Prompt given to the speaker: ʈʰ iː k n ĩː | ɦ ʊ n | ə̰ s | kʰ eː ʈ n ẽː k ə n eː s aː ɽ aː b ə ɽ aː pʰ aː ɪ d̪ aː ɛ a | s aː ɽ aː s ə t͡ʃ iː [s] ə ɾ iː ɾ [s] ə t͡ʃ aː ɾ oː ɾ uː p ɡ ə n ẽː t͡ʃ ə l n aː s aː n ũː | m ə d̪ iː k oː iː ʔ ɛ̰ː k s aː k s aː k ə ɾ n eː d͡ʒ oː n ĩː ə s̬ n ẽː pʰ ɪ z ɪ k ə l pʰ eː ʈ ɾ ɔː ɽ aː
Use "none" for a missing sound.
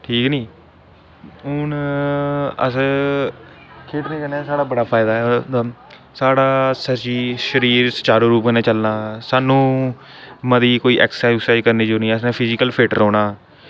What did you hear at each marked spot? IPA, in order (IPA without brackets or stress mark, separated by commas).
ʃ, s